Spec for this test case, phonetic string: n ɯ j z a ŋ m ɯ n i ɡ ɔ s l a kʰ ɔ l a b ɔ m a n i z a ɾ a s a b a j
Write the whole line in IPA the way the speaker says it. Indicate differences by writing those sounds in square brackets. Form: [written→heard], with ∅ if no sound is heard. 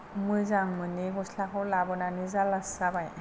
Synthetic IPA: [n→m] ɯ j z a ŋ m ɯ n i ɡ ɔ s l a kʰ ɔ l a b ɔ [m→n] a n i z a [ɾ→l] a s a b a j